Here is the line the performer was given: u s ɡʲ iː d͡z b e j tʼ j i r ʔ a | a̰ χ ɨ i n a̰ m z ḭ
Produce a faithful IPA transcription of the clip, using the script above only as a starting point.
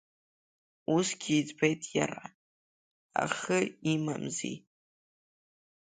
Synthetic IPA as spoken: u s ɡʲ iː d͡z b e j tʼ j a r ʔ a | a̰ χ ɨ i m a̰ m z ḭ